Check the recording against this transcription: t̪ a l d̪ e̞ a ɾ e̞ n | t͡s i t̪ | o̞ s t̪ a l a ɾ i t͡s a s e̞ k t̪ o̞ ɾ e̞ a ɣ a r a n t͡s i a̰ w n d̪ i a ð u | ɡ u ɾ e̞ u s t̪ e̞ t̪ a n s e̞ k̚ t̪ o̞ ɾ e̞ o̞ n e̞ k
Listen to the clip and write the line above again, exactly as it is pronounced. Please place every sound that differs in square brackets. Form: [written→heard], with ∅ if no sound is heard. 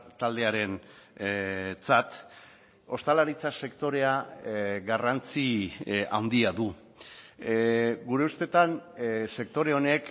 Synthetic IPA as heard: t̪ a l d̪ e̞ a ɾ e̞ n | t͡s [i→a] t̪ | o̞ s t̪ a l a ɾ i t͡s a s e̞ k t̪ o̞ ɾ e̞ a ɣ a r a n t͡s i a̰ w n d̪ i a ð u | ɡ u ɾ e̞ u s t̪ e̞ t̪ a n s e̞ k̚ t̪ o̞ ɾ e̞ o̞ n e̞ k